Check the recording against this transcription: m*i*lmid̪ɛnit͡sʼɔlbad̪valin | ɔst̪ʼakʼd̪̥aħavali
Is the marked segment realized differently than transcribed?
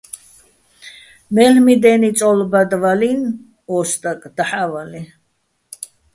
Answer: yes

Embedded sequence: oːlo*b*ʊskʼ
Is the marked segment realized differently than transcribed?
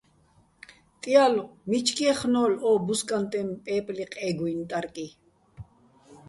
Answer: no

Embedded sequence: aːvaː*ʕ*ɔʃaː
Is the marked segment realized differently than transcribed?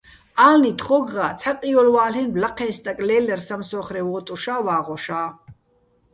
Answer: yes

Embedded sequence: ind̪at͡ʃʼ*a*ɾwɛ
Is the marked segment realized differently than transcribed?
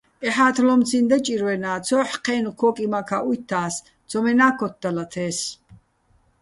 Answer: yes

